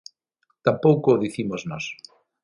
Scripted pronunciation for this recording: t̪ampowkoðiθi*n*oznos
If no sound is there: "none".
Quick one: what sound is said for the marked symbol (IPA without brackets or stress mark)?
m